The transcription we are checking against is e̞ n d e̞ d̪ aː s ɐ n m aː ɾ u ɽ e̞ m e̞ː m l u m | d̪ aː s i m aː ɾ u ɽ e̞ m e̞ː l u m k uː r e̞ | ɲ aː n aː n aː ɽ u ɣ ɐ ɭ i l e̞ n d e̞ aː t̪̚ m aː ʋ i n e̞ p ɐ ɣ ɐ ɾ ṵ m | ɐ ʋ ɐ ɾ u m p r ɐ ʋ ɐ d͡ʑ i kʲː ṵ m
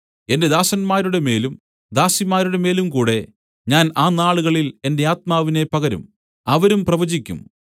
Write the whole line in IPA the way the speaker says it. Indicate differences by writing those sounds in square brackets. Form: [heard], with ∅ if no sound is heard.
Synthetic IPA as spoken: e̞ n d e̞ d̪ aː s ɐ n m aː ɾ u ɽ e̞ m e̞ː [∅] l u m | d̪ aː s i m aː ɾ u ɽ e̞ m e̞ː l u m k uː [ɽ] e̞ | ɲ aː n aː n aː [ɭ] u ɣ ɐ ɭ i l e̞ n d e̞ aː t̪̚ m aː ʋ i n e̞ p ɐ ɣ ɐ ɾ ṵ m | ɐ ʋ ɐ ɾ u m p r ɐ ʋ ɐ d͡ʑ i kʲː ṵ m